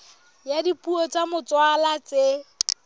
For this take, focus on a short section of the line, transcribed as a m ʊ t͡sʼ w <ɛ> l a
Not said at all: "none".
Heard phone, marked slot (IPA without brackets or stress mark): a